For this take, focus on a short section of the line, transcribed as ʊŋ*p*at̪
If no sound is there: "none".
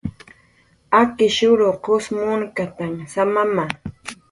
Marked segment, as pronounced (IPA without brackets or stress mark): k